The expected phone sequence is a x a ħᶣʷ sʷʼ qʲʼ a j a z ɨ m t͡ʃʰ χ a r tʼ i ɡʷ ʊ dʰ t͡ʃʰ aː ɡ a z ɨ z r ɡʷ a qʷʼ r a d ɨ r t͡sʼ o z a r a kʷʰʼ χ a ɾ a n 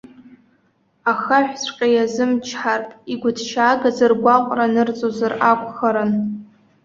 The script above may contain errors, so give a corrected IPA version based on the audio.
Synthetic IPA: a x a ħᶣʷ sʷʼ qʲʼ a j a z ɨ m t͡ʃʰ ħ a r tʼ i ɡʷ ʊ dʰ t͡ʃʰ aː ɡ a z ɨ r ɡʷ a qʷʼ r a n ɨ r t͡sʼ o z a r a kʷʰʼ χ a ɾ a n